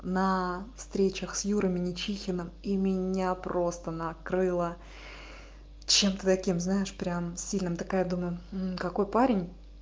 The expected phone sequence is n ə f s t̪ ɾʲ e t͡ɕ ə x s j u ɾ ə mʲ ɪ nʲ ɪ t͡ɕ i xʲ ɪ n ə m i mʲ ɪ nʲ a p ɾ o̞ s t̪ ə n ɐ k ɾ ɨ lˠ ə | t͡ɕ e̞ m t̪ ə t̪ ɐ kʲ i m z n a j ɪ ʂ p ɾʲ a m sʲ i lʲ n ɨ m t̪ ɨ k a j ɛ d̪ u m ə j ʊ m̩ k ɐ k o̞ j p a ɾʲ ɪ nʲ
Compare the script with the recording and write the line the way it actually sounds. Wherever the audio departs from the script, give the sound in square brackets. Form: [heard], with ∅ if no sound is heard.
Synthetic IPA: n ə f s t̪ ɾʲ e t͡ɕ ə x s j u ɾ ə mʲ ɪ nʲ ɪ t͡ɕ i xʲ ɪ n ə m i mʲ ɪ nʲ a p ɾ o̞ s t̪ ə n ɐ k ɾ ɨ lˠ ə | t͡ɕ e̞ m t̪ ə t̪ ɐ kʲ i m z n a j ɪ ʂ p ɾʲ a m sʲ i lʲ n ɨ m t̪ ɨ k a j [a] d̪ u m ə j ʊ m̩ k ɐ k o̞ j p a ɾʲ ɪ nʲ